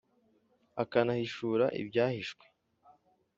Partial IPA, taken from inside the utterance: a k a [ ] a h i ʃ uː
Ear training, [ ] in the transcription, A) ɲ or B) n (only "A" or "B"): B